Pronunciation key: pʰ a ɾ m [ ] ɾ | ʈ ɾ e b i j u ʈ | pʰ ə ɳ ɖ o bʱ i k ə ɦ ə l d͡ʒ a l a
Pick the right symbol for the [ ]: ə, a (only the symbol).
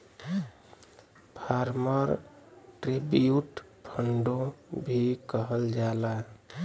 ə